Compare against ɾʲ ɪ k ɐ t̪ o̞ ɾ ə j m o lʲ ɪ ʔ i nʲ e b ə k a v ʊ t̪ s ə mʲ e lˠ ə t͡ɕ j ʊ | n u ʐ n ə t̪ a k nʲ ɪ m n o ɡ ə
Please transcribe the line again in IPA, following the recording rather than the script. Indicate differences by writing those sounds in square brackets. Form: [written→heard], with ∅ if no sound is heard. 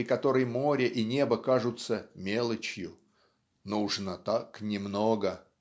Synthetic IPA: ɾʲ ɪ k ɐ t̪ o̞ ɾ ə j m o [lʲ→ɾʲ] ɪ ʔ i nʲ e b ə k a [v→ʐ] ʊ t̪ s ə mʲ e lˠ ə t͡ɕ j ʊ | n u ʐ n ə t̪ a k nʲ ɪ m n o ɡ ə